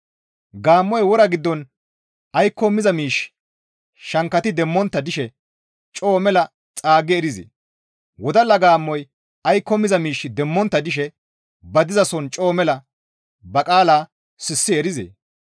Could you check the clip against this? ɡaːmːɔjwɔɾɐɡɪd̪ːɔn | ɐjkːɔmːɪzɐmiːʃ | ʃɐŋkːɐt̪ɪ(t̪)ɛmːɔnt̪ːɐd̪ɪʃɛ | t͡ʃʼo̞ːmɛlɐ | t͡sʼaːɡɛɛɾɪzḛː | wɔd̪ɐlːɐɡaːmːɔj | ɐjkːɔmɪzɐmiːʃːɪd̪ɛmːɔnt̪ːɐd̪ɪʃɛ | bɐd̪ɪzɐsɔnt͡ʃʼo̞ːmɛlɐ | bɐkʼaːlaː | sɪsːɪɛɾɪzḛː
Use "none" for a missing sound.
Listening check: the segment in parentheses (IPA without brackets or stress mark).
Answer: d̪